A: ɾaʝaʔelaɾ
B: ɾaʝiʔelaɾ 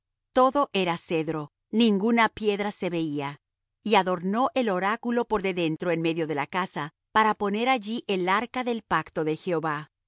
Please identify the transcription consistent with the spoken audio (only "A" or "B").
B